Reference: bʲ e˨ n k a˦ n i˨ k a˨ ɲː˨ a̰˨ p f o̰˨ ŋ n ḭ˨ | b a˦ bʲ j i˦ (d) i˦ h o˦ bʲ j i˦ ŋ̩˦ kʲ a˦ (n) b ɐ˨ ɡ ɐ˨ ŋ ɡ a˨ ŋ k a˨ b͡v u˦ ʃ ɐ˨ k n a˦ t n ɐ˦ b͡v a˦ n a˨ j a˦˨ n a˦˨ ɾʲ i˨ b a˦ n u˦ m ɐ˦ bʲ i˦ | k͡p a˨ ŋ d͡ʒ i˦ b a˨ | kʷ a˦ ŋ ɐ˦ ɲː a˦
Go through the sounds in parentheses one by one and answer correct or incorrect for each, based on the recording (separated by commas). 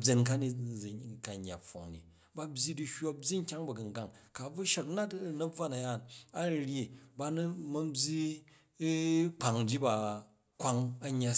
correct, incorrect